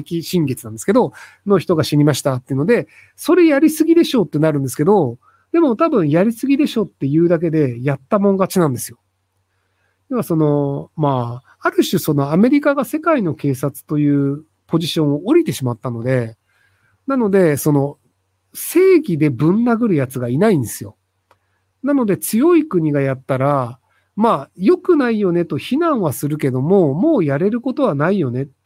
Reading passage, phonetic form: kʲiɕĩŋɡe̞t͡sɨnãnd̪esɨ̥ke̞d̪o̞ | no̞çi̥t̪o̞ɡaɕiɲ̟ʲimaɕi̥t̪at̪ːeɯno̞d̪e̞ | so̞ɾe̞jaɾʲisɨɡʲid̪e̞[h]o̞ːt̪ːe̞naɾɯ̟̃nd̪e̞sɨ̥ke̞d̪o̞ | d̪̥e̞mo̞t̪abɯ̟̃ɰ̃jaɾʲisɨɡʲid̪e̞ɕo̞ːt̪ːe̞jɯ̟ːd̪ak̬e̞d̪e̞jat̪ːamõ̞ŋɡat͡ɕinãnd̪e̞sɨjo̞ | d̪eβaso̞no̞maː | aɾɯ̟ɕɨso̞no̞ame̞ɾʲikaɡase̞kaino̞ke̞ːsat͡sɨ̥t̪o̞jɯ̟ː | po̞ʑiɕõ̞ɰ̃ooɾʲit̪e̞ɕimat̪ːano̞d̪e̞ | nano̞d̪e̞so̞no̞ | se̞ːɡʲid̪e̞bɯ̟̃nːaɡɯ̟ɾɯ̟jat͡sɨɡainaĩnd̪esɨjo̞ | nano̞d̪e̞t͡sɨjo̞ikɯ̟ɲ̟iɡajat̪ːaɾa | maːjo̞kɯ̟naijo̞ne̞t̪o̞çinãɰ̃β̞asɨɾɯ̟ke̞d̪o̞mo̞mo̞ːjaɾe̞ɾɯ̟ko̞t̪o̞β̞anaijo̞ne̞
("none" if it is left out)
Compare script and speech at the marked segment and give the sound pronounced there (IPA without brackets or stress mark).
ɕ